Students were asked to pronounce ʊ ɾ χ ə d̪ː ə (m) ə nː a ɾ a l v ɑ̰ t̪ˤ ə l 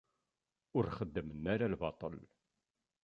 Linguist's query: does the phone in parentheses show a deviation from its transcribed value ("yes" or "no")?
no